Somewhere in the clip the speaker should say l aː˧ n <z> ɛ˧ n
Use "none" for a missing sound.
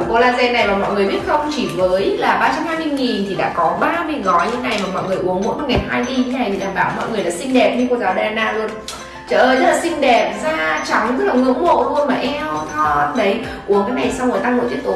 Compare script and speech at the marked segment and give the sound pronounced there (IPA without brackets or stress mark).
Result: z